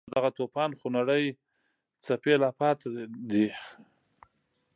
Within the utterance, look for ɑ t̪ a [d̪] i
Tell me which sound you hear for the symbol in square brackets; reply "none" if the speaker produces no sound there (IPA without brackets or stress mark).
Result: d̪